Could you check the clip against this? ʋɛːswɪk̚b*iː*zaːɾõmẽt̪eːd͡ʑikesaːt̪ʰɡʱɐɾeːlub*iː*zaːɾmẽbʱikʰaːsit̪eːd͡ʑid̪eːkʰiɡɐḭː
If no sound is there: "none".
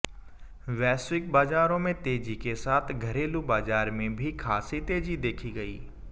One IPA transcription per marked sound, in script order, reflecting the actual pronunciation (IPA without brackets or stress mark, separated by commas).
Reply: aː, aː